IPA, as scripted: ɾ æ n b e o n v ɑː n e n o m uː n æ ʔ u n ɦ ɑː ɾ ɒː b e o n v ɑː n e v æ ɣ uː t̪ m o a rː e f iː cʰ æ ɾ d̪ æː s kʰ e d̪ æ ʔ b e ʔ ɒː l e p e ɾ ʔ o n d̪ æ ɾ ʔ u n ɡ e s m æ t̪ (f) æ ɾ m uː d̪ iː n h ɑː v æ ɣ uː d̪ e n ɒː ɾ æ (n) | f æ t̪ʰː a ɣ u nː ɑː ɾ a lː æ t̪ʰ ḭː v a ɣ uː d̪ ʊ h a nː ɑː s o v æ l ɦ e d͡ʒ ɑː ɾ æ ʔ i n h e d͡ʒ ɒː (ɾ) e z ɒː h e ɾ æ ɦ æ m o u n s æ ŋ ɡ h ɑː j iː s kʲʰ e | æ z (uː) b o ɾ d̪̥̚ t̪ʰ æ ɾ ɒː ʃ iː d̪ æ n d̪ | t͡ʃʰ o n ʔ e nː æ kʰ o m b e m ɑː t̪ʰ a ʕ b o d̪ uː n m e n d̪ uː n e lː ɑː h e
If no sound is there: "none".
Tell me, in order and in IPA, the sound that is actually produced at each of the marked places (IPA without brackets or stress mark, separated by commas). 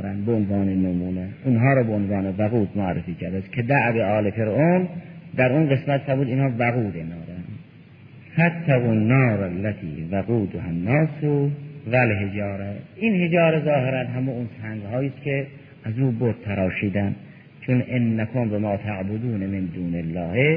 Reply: f, n, ɾ, uː